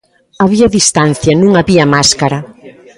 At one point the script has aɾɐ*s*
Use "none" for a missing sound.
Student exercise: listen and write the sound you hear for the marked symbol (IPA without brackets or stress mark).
none